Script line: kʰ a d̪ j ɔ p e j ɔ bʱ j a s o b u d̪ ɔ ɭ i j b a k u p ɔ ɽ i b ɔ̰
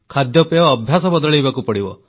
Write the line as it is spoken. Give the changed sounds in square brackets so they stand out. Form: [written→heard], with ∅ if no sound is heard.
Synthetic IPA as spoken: kʰ a d̪ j ɔ p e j [ɔ→ɔː] bʱ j a s [o→ɔ] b [u→ɔ] d̪ ɔ ɭ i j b a k u p ɔ ɽ i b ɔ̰